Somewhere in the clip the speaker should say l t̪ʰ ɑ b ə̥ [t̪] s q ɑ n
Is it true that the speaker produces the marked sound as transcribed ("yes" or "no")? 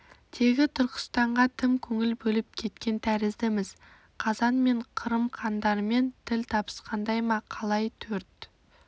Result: no